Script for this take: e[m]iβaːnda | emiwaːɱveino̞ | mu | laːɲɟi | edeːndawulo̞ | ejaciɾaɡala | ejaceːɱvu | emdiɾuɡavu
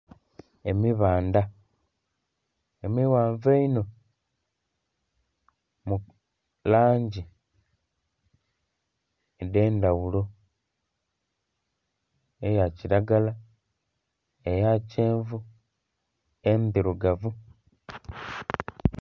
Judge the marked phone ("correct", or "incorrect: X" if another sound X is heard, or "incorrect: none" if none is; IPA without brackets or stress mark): correct